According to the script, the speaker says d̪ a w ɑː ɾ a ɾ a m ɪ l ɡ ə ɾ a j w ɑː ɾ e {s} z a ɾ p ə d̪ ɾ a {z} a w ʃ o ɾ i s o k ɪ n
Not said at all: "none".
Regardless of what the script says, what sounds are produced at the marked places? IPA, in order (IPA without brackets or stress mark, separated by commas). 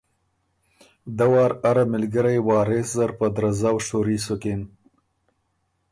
s, z